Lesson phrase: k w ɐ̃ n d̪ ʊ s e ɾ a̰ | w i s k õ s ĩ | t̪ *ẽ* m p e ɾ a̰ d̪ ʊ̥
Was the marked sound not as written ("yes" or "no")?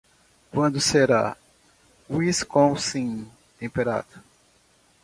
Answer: no